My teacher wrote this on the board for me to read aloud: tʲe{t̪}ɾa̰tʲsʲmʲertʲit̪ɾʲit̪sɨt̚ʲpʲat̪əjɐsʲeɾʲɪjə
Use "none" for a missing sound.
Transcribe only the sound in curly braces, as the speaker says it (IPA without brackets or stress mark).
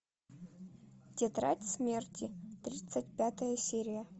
t̪